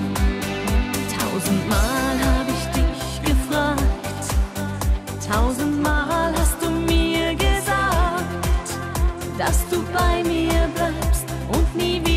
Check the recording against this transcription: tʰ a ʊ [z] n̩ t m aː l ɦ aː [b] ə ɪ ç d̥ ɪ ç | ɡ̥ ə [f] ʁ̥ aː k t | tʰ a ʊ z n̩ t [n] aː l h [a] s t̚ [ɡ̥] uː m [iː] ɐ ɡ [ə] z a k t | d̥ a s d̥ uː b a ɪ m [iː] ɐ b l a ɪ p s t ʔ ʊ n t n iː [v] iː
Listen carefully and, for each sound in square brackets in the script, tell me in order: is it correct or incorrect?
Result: correct, correct, correct, incorrect, correct, incorrect, correct, correct, correct, correct

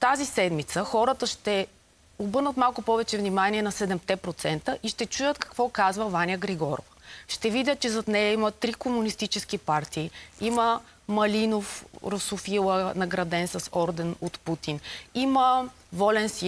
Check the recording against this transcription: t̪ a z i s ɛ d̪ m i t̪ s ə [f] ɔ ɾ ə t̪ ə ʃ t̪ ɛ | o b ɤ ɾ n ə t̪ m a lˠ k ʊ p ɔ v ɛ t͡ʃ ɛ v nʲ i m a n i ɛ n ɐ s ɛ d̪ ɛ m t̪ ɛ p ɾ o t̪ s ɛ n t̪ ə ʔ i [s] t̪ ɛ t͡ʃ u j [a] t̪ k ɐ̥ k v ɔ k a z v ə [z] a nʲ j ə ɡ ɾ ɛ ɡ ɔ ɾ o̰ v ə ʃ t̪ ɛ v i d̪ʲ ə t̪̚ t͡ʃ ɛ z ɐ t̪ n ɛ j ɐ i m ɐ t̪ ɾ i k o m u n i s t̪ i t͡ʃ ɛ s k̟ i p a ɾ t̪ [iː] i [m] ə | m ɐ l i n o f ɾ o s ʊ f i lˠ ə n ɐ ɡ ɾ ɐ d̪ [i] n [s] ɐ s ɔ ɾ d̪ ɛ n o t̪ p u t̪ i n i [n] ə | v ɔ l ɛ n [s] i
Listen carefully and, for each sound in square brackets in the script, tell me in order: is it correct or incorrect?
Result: incorrect, incorrect, incorrect, incorrect, correct, correct, incorrect, correct, incorrect, correct

